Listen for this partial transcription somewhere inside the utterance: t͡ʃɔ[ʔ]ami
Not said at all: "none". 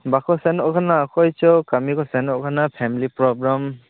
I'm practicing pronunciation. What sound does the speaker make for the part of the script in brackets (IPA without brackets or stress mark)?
k